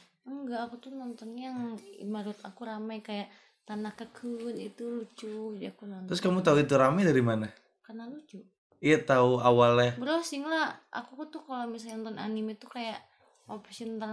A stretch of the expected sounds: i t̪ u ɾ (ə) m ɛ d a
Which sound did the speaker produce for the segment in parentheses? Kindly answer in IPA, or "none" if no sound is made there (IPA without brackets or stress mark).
a